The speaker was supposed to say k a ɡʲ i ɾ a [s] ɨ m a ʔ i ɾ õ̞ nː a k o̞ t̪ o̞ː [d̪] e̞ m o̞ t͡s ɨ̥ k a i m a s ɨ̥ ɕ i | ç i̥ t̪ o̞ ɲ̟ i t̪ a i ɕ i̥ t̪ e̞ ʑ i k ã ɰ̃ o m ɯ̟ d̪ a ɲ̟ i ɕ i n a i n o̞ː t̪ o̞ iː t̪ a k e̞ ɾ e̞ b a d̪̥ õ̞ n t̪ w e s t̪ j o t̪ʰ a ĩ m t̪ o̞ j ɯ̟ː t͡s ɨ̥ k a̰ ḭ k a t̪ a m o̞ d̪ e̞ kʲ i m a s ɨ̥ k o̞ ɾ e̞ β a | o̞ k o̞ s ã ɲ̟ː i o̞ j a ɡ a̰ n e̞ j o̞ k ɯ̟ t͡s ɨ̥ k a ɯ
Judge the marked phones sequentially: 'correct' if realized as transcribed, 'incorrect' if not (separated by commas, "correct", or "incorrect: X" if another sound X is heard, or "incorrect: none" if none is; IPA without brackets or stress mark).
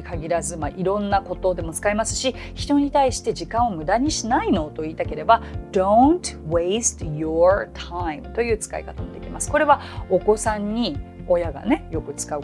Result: incorrect: z, correct